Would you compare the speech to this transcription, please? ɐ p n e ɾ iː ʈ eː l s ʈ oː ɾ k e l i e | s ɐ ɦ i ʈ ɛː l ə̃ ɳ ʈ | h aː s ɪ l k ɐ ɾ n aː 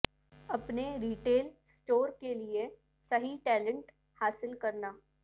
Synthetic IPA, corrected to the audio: ɐ p n e ɾ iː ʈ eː l s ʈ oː ɾ k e l i e | s ɐ ɦ i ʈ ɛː l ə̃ ɳ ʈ | h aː s ɪ l k ɐ ɾ n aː

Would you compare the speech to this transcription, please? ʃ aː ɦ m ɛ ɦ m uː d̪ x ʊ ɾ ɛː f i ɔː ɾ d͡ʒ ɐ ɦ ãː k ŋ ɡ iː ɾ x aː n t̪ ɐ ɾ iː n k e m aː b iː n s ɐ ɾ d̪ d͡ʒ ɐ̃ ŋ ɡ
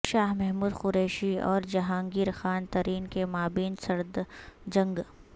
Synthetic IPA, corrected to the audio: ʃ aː ɦ m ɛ ɦ m uː d̪ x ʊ ɾ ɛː ʃ i ɔː ɾ d͡ʒ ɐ ɦ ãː ŋ ɡ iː ɾ x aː n t̪ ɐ ɾ iː n k e m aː b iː n s ɐ ɾ d̪ d͡ʒ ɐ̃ ŋ ɡ

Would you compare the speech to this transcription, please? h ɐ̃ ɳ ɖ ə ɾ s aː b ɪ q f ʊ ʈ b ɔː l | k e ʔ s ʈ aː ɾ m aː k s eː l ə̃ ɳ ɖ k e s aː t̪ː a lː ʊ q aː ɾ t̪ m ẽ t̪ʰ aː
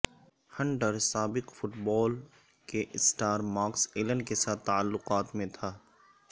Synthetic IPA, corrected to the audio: h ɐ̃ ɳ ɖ ə ɾ s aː b ɪ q f ʊ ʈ b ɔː l | k e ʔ s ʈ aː ɾ m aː k s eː l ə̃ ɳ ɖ k e s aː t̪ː a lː ʊ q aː t̪ m ẽ t̪ʰ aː

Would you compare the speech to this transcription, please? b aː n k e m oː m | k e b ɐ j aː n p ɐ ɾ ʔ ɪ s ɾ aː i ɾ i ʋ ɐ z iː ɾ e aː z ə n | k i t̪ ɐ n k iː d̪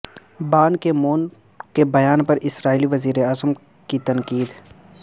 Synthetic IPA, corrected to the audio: b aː n k e m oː n | k e b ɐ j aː n p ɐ ɾ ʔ ɪ s ɾ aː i l i ʋ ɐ z iː ɾ e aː z ə m | k i t̪ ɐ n k iː d̪

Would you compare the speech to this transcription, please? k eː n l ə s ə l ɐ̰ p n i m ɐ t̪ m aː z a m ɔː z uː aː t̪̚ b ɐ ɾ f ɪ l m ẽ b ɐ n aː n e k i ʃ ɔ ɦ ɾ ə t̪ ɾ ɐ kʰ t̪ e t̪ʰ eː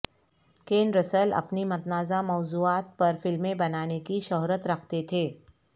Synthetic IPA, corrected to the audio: k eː n ɾ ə s ə l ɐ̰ p n i m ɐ t̪ n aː z a m ɔː z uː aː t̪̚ p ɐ ɾ f ɪ l m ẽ b ɐ n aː n e k i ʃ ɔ ɦ ɾ ə t̪ ɾ ɐ kʰ t̪ e t̪ʰ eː

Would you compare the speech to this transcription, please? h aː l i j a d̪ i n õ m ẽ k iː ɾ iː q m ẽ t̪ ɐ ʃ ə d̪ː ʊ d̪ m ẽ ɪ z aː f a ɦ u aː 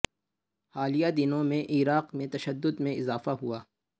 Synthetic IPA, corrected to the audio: h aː l i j a d̪ ɪ n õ m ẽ ʔ iː ɾ aː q m ẽ t̪ ɐ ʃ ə d̪ː ʊ d̪ m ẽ ɪ z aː f a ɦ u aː

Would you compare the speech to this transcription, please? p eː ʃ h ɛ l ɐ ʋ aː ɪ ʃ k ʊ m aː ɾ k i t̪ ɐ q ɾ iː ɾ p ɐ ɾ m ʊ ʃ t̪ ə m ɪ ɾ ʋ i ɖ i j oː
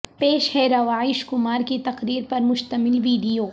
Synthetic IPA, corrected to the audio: p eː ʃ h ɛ ɾ ɐ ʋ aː ɪ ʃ k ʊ m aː ɾ k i t̪ ɐ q ɾ iː ɾ p ɐ ɾ m ʊ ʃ t̪ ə m ɪ l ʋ iː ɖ i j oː

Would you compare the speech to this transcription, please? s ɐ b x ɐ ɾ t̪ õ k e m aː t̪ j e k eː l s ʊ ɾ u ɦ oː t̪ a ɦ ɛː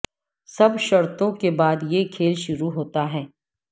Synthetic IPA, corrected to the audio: s ɐ b ʃ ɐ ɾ t̪ õ k e b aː d̪ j e kʰ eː l ʃ ʊ ɾ u ɦ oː t̪ a ɦ ɛː

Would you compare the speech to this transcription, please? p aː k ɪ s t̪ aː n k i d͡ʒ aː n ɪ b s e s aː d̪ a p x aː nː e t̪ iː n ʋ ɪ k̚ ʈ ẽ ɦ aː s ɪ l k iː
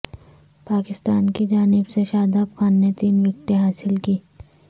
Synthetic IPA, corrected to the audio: p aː k ɪ s t̪ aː n k i d͡ʒ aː n ɪ b s e ʃ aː d̪ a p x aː nː e t̪ iː n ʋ ɪ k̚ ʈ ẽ ɦ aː s ɪ l k iː

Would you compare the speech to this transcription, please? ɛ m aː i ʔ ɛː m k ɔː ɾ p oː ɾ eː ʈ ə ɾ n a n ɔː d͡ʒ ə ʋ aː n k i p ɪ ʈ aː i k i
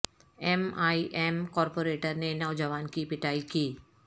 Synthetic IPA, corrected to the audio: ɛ m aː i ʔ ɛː m k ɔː ɾ p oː ɾ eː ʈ ə ɾ n e n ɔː d͡ʒ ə ʋ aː n k i p ɪ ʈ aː i k iː

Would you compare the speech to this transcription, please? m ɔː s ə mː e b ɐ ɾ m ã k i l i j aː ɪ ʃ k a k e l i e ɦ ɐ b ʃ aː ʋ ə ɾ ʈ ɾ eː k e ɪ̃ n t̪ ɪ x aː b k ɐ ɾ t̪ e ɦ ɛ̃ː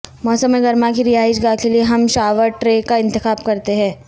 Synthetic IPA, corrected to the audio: m ɔː s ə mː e ɡ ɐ ɾ m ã k i ɾ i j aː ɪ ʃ ɡ a k e l i e ɦ ɐ m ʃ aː ʋ ə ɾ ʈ ɾ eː k a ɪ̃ n t̪ ɪ x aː b k ɐ ɾ t̪ e ɦ ɛ̃ː

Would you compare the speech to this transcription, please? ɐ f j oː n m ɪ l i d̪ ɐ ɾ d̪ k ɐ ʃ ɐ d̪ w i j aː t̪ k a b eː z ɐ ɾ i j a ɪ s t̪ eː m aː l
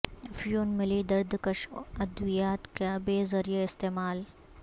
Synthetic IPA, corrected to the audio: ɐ f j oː n m ɪ l i d̪ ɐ ɾ d̪ k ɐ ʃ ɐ d̪ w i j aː t̪ k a b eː z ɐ ɾ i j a ɪ s t̪ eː m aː l

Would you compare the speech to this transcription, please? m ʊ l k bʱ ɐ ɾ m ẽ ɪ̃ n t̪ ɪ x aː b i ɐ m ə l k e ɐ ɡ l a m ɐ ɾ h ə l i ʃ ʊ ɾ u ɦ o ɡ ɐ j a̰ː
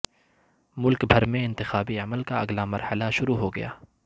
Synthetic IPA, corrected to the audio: m ʊ l k bʱ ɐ ɾ m ẽ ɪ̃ n t̪ ɪ x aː b i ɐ m ə l k a ɐ ɡ l a m ɐ ɾ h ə l a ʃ ʊ ɾ u ɦ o ɡ ɐ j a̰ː

